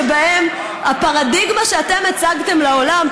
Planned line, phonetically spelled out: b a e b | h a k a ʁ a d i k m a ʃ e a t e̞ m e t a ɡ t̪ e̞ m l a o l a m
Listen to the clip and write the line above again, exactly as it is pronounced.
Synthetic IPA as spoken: b a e m | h a p a ʁ a d i ɡ m a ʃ e a t e̞ m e t͡s a ɡ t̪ e̞ m l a o l a m

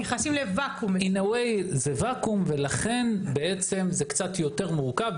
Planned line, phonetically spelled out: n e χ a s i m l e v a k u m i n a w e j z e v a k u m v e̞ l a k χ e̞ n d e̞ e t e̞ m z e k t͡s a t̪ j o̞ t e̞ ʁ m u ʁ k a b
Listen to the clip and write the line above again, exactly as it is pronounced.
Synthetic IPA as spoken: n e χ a s i m l e v a k u m i n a w e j z e v a k u m v e̞ l a χ e̞ n b e̞ e t͡s e̞ m z e k t͡s a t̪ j o̞ t e̞ ʁ m u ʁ k a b

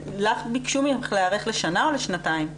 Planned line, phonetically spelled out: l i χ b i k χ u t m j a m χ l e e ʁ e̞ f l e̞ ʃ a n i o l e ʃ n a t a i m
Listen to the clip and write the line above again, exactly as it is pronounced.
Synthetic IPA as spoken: l a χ b i k ʃ u m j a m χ l e a ʁ e̞ χ l e̞ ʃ a n a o l e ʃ n a t a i m

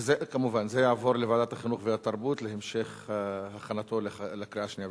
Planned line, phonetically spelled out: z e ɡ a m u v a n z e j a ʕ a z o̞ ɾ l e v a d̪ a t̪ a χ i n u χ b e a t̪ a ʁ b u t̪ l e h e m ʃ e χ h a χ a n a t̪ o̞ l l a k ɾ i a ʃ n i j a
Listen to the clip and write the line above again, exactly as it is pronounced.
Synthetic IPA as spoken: z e k a m u v a n z e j a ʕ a v o̞ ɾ l e v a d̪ a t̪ a χ i n u χ v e a t̪ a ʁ b u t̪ l e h e m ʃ e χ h a χ a n a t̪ o̞ l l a k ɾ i a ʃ n i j a

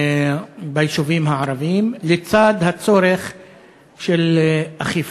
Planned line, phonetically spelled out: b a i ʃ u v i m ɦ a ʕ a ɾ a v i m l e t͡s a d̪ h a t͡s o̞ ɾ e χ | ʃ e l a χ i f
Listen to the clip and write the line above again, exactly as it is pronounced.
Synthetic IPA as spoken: b a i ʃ u v i m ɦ a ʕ a ɾ a v i m l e t͡s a d̪ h a t͡s o̞ ɾ e χ | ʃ e l a χ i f

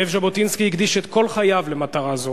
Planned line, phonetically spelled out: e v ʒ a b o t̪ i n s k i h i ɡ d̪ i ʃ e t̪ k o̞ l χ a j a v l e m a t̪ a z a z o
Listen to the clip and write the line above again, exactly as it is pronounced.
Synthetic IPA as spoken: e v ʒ a b o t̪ i n s k i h i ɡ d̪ i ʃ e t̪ k o̞ l χ a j a v l e m a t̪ a ʁ a z o

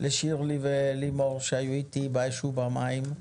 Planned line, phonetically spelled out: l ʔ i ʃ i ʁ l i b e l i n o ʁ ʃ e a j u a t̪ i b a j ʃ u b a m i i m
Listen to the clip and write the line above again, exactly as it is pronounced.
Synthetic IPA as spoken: l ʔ e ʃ i ʁ l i v e l i m o ʁ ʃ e a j u i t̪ i b a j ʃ u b a m a i m

